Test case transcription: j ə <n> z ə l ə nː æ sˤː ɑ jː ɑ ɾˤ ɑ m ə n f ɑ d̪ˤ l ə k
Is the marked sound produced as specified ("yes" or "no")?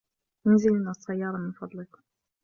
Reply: yes